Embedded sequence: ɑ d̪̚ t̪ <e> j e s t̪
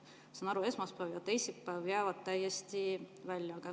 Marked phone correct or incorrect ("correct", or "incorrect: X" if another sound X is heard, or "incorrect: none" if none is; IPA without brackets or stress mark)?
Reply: incorrect: æ